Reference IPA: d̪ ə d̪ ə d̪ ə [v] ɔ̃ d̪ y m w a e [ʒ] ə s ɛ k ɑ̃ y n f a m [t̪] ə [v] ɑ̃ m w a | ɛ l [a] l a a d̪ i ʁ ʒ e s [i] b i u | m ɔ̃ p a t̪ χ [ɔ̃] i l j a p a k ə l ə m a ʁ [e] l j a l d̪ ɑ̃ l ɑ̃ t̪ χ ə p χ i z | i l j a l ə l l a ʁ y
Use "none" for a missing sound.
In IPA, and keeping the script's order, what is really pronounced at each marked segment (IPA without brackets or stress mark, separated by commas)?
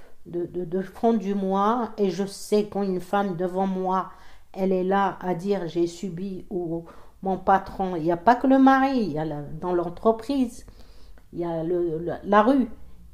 f, ʒ, d̪, v, ɛ, y, ɔ̃, i